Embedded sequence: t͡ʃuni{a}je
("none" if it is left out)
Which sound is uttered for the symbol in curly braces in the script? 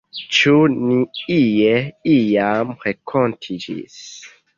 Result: i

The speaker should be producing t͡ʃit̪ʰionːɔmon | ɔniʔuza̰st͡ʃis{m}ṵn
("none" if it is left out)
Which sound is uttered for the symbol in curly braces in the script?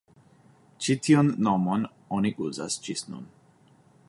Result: n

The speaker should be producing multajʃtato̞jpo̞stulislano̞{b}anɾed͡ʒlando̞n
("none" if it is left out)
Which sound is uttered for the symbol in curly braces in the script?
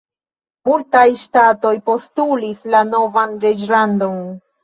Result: v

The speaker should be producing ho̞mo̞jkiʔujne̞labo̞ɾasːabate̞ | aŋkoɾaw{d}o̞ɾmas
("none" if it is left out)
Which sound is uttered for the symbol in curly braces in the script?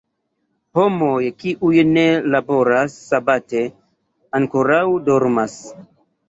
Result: d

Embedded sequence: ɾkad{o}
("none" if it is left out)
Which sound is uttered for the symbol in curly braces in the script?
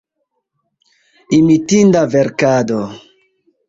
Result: o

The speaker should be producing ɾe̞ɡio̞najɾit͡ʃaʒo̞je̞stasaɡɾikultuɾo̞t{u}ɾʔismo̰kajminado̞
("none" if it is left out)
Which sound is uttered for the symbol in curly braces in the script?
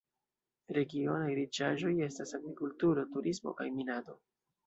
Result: u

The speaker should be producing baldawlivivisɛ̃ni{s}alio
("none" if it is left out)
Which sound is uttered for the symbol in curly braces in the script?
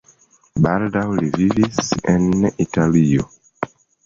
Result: t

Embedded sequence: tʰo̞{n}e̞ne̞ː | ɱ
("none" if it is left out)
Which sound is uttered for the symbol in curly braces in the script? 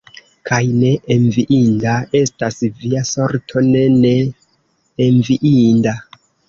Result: n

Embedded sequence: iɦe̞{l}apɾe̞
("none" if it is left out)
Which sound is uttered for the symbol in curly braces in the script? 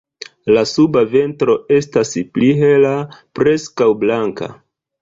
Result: l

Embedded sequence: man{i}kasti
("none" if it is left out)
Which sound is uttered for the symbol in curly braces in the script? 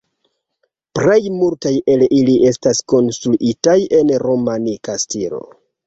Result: i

